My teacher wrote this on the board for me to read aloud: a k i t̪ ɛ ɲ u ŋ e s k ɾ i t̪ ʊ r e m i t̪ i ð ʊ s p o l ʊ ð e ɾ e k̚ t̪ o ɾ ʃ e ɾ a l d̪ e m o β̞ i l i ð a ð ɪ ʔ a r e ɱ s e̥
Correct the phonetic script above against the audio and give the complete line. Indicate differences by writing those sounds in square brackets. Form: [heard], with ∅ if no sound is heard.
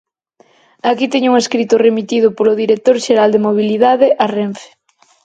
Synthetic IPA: a k i t̪ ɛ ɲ u ŋ e s k ɾ i t̪ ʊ r e m i t̪ i ð ʊ [∅] p o l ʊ ð [i] ɾ e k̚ t̪ o ɾ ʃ e ɾ a l d̪ e m o β̞ i l i ð a ð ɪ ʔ a r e ɱ [f] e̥

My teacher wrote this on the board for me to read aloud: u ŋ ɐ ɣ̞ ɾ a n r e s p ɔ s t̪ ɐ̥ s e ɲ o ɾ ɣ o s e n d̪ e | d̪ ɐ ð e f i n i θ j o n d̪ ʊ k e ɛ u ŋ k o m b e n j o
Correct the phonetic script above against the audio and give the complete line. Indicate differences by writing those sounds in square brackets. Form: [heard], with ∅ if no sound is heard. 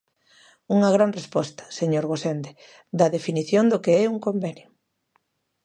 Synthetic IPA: u ŋ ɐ ɣ̞ ɾ a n r e s p ɔ s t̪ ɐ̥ s e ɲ o ɾ ɣ o s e n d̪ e | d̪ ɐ ð e f i n i θ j o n d̪ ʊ k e ɛ u ŋ k o m b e n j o

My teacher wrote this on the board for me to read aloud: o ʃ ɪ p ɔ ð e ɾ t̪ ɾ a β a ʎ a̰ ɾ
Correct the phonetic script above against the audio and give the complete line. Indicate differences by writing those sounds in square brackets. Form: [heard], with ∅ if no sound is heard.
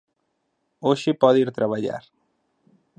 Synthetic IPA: o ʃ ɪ p ɔ ð [i] ɾ t̪ ɾ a β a ʎ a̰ ɾ

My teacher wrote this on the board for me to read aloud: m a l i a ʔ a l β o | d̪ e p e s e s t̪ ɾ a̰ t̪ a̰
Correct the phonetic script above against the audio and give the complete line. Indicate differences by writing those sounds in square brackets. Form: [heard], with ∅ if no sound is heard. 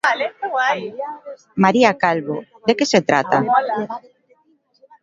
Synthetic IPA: m a [ɾ] i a [k] a l β o | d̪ e [k] e s e [∅] t̪ ɾ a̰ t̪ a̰

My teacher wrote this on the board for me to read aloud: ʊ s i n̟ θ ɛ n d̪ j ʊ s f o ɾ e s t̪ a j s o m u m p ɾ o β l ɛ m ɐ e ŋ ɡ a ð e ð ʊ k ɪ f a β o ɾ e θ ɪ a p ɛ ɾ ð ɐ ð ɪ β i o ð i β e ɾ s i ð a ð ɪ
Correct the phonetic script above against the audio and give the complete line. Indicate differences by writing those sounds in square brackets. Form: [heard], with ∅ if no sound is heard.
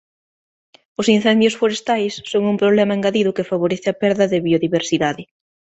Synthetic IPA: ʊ s i n̟ θ ɛ n d̪ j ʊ s f o ɾ e s t̪ a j [sː] o [ŋ] u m p ɾ o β l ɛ m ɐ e ŋ ɡ a ð [i] ð ʊ k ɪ f a β o ɾ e θ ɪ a p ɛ ɾ ð ɐ ð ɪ β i o ð i β e ɾ s i ð a ð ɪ

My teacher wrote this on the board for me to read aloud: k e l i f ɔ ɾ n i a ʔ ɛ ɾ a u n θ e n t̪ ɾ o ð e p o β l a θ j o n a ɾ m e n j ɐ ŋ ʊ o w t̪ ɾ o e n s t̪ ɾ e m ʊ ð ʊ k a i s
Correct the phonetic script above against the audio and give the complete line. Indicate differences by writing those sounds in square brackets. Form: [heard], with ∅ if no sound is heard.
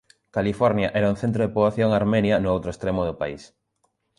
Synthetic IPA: k [a] l i f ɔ ɾ n [j] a ʔ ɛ ɾ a u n θ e n t̪ ɾ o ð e p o β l a θ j o [ŋ] a ɾ m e n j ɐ [n] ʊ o w t̪ ɾ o e [∅] s t̪ ɾ e m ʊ ð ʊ [p] a i s

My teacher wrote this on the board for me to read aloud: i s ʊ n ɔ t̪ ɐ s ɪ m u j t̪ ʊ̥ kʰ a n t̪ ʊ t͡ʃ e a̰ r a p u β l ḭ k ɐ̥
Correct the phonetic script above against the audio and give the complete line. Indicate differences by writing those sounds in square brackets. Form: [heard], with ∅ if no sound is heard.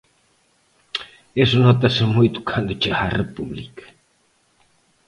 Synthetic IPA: [e] s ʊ n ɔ t̪ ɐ s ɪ m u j t̪ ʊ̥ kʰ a n [d̪] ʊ t͡ʃ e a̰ r [e] p u β l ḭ k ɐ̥

